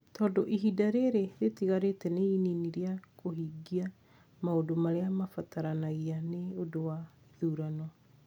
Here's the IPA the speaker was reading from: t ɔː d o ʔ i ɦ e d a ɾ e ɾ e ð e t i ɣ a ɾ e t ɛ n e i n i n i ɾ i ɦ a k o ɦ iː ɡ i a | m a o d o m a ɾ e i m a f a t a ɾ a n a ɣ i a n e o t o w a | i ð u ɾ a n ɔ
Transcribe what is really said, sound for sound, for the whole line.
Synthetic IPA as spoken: t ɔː d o ʔ i ɦ i d a ɾ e ɾ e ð e t i ɣ a ɾ e t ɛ n e i n i n i ɾ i a k o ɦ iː ɡ i a | m a o d o m a ɾ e a m a f a t a ɾ a n a ɣ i a n e o d o w a | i ð u ɾ a n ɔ